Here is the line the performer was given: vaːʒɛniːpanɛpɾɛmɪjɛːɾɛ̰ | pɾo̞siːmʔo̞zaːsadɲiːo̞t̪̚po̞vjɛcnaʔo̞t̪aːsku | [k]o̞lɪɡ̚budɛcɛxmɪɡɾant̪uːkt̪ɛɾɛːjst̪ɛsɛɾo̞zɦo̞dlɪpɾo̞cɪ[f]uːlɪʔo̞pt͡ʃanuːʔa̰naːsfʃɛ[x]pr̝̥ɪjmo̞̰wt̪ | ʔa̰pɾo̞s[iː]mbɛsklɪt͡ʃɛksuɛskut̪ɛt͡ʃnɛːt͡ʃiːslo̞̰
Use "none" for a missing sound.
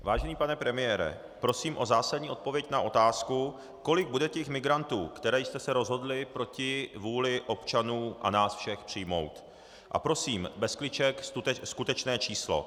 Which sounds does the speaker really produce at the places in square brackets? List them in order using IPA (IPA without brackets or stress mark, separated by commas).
k, v, x, iː